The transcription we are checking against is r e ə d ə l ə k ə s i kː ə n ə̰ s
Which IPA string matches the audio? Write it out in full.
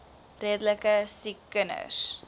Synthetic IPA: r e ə d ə l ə k ə s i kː ə n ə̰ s

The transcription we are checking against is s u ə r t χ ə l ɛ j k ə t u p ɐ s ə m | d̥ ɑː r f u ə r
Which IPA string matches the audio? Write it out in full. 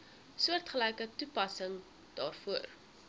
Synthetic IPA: s u ə r t χ ə l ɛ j k ə t u p ɐ s ə ŋ | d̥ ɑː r f u ə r

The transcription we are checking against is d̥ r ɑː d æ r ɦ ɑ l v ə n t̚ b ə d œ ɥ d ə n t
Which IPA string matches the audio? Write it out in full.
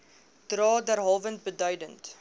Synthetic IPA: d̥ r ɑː d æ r ɦ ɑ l v ə n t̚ b ə d œ ɥ d ə n t

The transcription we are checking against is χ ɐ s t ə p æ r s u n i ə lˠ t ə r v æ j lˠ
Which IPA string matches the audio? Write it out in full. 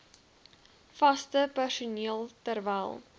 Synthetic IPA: f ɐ s t ə p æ r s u n i ə lˠ t ə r v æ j lˠ

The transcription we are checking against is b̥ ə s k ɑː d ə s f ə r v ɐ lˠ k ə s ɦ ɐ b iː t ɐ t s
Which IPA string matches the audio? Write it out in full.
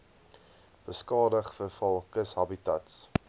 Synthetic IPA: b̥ ə s k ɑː d ə χ f ə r f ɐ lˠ k ə s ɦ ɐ b i t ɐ t s

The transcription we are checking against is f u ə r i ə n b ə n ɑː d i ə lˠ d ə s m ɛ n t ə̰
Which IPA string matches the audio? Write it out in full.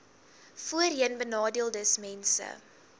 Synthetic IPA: f u ə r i ə n b ə n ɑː d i ə lˠ d ə s m ɛ n s ə̰

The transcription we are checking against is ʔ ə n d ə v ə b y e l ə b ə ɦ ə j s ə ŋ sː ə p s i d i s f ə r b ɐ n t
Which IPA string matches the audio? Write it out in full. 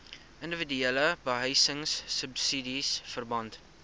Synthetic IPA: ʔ ə n d ə v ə d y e l ə b ə ɦ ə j s ə ŋ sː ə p s i d i s f ə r b ɐ n t

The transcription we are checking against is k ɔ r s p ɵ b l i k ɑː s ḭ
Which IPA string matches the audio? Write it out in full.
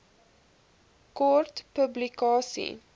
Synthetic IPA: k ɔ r t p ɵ b l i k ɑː s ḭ

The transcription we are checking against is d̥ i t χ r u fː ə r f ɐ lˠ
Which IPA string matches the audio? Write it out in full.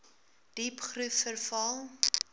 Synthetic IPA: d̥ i p χ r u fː ə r f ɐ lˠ

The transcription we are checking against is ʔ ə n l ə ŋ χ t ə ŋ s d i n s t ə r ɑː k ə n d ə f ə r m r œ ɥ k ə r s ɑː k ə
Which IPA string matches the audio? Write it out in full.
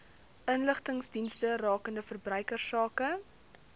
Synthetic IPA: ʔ ə n l ə χ t ə ŋ s d i n s t ə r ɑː k ə n d ə f ə r b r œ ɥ k ə r s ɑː k ə

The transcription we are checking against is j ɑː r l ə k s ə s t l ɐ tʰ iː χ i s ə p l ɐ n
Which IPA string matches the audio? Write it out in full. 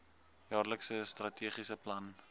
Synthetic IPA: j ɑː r l ə k s ə s t r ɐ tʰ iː χ i s ə p l ɐ n

